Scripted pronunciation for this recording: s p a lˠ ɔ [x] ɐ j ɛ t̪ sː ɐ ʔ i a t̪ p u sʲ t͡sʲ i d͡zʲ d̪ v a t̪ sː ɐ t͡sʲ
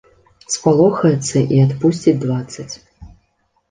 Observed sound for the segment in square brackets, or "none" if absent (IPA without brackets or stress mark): x